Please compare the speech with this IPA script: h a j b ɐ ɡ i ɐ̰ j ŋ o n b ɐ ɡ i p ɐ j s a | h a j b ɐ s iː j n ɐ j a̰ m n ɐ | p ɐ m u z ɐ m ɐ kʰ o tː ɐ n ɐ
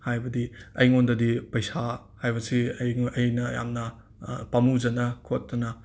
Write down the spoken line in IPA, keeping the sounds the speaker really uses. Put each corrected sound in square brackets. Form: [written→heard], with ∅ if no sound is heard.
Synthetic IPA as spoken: h a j b ɐ [ɡ→d] i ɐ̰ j ŋ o n [b→d] ɐ [ɡ→d] i p ɐ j s a | h a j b ɐ s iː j n ɐ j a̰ m n ɐ | p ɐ m u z ɐ [m→n] ɐ kʰ o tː ɐ n ɐ